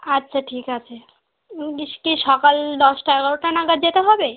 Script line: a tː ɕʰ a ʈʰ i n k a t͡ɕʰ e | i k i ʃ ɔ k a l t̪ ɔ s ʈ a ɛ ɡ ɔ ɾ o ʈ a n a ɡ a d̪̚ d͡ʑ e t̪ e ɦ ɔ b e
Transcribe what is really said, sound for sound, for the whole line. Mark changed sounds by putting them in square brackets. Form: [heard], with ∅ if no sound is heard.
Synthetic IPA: a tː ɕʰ a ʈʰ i [∅] k a t͡ɕʰ e | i k i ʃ ɔ k a l [d̪] ɔ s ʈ a ɛ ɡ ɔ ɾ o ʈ a n a ɡ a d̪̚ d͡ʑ e t̪ e ɦ ɔ b e